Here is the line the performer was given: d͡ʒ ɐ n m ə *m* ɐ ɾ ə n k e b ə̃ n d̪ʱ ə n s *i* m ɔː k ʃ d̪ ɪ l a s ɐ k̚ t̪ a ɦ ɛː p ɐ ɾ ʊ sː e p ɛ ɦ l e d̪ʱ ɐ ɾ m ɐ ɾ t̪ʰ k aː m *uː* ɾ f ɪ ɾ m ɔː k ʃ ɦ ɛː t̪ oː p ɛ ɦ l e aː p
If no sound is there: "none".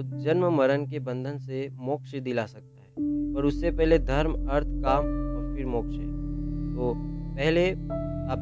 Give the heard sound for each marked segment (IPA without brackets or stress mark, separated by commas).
m, e, ɔː